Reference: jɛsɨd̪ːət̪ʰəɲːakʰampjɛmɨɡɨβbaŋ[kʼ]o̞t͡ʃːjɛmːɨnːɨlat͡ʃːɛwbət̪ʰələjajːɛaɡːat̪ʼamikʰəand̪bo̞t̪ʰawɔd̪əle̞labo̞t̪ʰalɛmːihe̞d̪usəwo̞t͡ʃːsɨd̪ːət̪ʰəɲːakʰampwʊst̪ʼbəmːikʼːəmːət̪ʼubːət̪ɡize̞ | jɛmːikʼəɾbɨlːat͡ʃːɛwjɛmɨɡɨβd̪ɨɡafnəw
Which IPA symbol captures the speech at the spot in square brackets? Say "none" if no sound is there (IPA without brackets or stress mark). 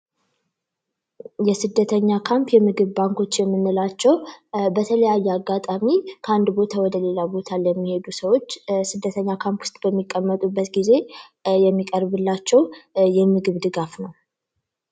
k